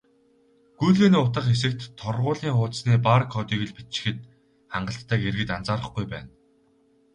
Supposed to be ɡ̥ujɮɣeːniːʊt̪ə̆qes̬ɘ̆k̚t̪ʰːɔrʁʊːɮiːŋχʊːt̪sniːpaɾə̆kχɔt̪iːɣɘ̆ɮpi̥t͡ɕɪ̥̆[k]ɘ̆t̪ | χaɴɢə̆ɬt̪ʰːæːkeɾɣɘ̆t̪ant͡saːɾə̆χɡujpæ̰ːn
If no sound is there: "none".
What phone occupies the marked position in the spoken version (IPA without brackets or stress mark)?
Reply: x